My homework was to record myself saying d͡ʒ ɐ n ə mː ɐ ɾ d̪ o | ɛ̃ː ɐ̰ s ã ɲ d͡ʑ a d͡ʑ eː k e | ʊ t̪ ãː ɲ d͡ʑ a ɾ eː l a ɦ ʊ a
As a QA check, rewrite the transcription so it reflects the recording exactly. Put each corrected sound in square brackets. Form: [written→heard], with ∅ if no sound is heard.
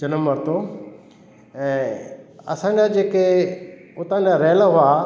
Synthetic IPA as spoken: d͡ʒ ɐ n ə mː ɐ ɾ [d̪→t̪] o | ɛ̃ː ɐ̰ s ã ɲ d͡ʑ a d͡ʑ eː k e | ʊ t̪ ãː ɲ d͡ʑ a ɾ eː l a ɦ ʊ a